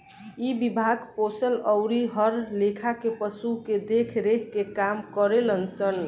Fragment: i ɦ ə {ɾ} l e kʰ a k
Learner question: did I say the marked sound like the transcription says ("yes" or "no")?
yes